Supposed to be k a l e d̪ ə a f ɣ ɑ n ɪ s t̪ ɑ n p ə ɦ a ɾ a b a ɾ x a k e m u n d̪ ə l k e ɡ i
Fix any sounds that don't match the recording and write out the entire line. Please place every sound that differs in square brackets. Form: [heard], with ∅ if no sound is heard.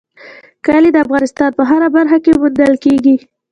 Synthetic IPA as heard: k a l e d̪ ə a f ɣ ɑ n ɪ s t̪ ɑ n p ə ɦ a ɾ a b a ɾ x a k e m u n d̪ ə l k e ɡ i